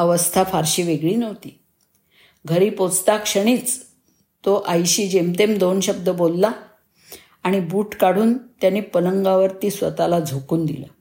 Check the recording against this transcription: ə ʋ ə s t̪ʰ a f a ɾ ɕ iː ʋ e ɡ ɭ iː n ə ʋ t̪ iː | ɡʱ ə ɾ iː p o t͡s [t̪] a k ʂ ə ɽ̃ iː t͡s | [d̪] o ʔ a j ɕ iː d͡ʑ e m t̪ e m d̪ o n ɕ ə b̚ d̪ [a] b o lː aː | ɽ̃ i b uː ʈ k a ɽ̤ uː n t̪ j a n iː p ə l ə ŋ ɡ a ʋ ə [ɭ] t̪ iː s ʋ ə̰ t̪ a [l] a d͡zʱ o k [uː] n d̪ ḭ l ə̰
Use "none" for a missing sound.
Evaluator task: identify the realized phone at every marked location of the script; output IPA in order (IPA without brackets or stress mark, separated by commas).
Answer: t̪, t̪, ə, ɾ, l, uː